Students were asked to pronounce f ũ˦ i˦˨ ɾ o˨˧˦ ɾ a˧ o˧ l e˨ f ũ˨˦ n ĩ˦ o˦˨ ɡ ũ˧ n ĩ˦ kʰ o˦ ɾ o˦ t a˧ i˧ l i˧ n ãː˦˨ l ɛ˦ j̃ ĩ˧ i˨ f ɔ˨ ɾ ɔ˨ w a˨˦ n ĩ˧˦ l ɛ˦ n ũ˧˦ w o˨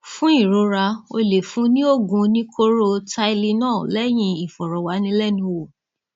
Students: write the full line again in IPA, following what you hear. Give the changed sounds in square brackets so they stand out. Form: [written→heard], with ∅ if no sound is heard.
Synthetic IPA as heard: f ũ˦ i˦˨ ɾ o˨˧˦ ɾ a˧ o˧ l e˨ f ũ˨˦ n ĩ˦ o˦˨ ɡ ũ˧ n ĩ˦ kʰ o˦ ɾ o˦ t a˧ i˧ l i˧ n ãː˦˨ l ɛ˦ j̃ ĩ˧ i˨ f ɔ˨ ɾ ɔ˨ w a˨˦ n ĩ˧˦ l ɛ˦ n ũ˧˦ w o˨